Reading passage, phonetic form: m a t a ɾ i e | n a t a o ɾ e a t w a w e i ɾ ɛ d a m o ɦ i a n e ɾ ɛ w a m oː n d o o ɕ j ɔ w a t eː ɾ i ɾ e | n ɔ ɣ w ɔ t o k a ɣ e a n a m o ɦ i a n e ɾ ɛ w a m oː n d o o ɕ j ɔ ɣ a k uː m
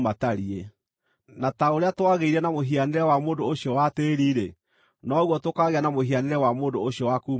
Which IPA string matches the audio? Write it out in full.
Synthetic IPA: m a t a ɾ i e | n a t a o ɾ e a t w a ɣ e i ɾ ɛ n a m o ɦ i a n e ɾ ɛ w a m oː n d o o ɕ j ɔ w a t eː ɾ i ɾ e | n ɔ ɣ w ɔ t o k a ɣ e a n a m o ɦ i a n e ɾ ɛ w a m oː n d o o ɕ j ɔ w a k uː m